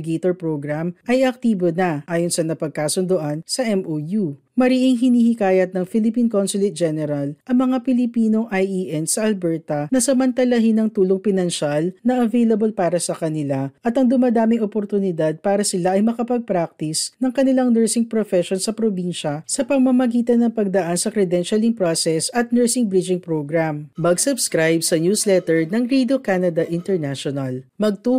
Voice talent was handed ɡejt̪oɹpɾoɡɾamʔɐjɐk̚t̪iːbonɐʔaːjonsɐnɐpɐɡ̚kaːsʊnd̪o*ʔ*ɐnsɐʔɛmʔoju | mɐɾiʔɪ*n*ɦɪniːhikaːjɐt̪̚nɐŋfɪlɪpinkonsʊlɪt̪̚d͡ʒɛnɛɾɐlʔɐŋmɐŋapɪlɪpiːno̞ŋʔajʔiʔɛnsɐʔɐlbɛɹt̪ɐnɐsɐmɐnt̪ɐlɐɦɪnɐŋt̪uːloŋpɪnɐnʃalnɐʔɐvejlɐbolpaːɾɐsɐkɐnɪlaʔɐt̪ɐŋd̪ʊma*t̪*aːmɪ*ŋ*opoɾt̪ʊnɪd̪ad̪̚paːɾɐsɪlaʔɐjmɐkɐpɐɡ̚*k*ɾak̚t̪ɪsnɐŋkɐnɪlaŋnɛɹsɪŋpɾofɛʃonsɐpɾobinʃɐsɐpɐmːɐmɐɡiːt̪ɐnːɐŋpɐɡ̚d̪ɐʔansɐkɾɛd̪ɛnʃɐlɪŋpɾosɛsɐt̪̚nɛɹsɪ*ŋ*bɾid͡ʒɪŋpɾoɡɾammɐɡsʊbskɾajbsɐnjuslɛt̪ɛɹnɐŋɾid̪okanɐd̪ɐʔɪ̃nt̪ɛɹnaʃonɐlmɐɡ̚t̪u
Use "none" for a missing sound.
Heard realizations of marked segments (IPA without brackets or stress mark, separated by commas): ʔ, ŋ, d̪, ŋ, p, ŋ